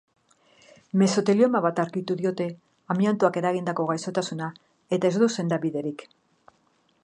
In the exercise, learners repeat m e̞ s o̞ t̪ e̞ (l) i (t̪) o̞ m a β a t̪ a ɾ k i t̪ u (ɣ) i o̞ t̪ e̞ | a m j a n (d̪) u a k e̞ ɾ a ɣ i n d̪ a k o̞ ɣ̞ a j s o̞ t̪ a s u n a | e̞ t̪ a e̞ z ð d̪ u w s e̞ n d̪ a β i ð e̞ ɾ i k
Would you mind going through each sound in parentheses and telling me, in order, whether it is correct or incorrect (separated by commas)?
correct, incorrect, incorrect, incorrect